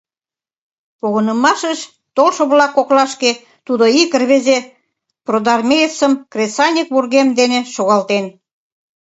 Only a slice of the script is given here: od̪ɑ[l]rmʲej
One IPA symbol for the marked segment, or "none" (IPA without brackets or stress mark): none